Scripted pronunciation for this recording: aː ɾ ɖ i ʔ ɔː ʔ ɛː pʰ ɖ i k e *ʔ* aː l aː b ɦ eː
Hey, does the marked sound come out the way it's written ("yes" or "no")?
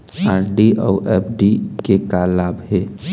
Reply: no